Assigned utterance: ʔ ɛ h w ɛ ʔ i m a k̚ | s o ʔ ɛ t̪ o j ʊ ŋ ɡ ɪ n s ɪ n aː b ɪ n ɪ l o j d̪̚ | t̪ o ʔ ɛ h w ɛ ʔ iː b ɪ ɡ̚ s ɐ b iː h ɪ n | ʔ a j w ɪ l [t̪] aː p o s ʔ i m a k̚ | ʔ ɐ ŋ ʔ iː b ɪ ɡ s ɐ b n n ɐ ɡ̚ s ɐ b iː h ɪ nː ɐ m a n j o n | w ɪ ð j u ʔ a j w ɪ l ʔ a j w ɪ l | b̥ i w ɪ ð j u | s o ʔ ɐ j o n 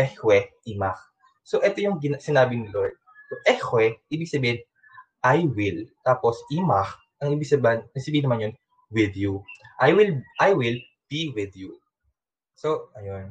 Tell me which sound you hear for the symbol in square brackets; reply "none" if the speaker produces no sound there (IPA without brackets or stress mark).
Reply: t̪